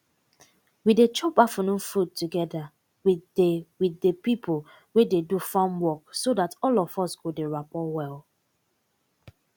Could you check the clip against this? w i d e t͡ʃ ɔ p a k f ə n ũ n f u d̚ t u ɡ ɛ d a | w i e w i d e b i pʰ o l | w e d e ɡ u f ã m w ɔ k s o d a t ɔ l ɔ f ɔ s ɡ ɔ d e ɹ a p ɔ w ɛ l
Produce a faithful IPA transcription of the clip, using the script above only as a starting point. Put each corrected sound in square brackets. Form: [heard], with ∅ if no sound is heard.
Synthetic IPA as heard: w i d e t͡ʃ ɔ p a [∅] f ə n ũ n f u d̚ t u ɡ ɛ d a | w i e w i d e [p] i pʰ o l | w e d e [d] u f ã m w ɔ k s o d a t ɔ l ɔ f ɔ s ɡ [o] d e ɹ a p ɔ w ɛ l